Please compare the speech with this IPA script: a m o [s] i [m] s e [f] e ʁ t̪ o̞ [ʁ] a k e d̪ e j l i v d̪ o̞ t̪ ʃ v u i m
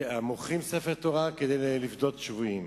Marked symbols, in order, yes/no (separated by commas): no, yes, yes, yes